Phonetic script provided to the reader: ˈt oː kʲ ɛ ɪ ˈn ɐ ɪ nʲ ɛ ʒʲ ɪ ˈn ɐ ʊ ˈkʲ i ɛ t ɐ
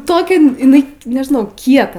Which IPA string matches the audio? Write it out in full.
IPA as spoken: ˈt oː kʲ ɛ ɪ ˈn ɐ ɪ nʲ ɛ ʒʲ ɪ ˈn ɐ ʊ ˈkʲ i ɛ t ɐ